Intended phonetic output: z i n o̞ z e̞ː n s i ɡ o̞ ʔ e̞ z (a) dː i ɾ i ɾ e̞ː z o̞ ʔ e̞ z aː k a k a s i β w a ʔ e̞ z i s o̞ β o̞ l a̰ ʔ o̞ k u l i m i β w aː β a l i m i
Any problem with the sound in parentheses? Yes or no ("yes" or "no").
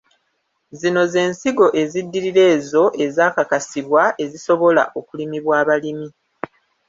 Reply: yes